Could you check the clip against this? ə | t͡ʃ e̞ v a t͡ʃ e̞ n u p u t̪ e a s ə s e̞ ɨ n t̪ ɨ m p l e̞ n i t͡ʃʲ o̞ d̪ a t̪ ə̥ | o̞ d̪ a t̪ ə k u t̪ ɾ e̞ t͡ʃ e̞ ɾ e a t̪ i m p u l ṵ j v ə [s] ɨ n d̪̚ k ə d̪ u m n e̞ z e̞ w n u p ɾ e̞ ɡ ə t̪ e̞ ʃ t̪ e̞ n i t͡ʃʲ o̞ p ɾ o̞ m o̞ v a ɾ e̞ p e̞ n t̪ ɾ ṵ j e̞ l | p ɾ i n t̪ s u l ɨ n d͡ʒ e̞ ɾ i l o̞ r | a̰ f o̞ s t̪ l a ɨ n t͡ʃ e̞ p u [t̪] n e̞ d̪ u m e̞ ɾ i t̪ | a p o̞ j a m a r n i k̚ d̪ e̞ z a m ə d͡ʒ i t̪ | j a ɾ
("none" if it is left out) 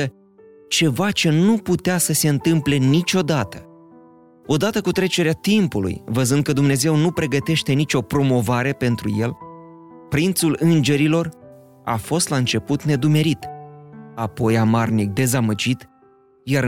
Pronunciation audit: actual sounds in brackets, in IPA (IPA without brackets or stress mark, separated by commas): z, t̪